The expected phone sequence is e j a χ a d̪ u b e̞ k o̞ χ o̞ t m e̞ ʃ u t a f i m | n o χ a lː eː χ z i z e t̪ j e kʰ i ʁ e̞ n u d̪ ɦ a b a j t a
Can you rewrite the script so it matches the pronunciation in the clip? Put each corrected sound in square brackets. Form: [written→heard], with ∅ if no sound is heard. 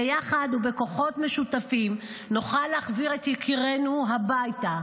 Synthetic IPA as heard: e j a χ a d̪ u b e̞ k o̞ χ o̞ t m e̞ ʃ u t a f i m | n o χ a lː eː χ z i [z→ʁ] e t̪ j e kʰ i ʁ e̞ n u [d̪→∅] ɦ a b a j t a